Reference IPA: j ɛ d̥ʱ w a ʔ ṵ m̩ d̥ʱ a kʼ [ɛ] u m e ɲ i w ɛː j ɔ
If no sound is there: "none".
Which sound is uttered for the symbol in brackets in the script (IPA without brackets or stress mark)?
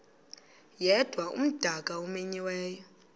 a